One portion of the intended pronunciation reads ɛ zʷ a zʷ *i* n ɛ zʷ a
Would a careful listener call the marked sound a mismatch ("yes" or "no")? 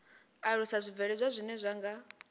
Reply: no